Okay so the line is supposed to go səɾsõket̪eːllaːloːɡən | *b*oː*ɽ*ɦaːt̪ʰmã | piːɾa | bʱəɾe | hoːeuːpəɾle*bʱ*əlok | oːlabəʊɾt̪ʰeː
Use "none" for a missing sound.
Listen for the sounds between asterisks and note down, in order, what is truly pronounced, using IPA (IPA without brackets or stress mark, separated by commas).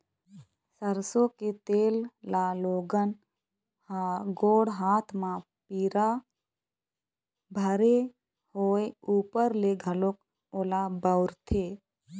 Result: ɡ, ɽ, ɡʱ